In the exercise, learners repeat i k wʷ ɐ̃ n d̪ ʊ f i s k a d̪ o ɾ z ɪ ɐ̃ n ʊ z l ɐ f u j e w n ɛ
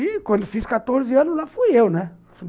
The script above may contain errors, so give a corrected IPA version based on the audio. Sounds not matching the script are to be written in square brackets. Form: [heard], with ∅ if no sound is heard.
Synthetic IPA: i k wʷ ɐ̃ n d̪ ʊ f i s k a [t̪] o ɾ z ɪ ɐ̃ n ʊ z l [a] f u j e w n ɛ